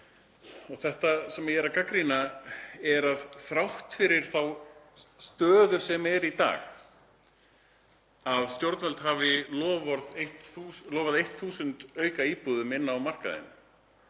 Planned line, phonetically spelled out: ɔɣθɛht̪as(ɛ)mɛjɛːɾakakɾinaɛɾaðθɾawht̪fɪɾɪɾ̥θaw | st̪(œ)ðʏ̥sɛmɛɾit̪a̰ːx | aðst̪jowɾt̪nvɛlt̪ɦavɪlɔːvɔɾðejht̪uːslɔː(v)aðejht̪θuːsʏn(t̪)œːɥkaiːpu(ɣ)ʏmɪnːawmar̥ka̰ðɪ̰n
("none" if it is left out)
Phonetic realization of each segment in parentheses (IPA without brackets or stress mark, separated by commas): ɛ, œː, v, t̪, ð